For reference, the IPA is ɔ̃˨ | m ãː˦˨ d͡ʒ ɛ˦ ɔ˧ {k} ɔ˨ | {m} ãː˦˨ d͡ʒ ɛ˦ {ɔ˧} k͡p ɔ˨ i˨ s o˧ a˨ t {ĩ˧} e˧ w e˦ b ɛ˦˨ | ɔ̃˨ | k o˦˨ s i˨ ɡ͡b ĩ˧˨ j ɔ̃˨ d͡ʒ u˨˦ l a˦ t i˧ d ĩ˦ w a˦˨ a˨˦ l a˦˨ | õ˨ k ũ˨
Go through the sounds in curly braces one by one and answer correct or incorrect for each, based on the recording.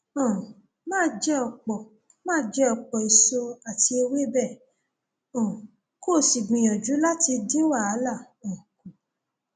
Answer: incorrect: k͡p, correct, correct, incorrect: i˧

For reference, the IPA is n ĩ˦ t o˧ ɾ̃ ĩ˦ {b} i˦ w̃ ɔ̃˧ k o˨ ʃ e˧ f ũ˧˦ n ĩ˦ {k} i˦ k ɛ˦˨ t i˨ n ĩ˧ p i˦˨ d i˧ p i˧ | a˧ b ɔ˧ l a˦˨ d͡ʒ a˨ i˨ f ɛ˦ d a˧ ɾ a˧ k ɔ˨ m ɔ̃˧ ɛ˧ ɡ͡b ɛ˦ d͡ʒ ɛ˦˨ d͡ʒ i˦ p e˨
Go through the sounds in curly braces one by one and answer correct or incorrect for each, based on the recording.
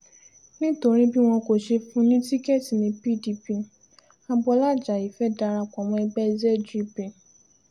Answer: correct, incorrect: t

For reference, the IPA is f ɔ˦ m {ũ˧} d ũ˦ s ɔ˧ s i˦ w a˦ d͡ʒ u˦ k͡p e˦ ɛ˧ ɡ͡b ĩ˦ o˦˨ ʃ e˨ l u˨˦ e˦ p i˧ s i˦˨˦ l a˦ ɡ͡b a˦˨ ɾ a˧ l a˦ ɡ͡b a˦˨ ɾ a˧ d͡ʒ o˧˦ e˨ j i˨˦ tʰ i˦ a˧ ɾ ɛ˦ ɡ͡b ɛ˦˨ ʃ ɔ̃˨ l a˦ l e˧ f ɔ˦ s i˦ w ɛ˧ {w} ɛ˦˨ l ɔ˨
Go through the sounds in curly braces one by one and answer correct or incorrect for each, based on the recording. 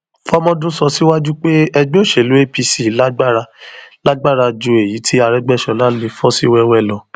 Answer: incorrect: ɔ̃˧, correct

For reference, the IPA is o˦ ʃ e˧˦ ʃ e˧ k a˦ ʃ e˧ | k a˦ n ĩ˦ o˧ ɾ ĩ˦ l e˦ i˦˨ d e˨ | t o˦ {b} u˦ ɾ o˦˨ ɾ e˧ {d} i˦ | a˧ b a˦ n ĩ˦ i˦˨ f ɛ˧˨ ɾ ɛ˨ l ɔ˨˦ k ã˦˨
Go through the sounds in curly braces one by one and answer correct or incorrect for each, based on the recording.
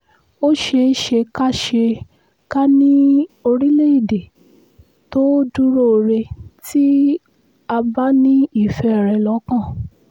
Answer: incorrect: d, incorrect: t

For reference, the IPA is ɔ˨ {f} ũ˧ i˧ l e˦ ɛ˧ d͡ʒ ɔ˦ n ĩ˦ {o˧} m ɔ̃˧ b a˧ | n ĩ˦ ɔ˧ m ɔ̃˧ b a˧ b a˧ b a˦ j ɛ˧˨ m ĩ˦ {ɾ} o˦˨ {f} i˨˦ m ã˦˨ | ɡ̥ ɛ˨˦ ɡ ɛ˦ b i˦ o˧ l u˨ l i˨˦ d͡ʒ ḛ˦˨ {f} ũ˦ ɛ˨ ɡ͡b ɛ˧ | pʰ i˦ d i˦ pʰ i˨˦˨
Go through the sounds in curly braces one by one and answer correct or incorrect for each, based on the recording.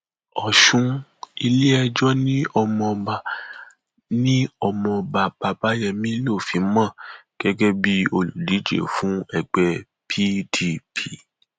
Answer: incorrect: ʃ, incorrect: ɔ˧, incorrect: l, correct, correct

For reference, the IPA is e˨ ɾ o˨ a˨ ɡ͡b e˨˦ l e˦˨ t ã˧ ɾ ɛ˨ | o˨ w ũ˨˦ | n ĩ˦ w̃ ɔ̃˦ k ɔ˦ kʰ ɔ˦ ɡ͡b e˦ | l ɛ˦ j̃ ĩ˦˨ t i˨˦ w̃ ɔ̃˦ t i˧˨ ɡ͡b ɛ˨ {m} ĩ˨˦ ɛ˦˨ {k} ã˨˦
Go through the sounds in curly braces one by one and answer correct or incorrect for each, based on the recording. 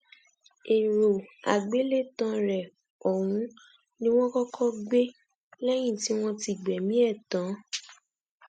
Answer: correct, incorrect: t

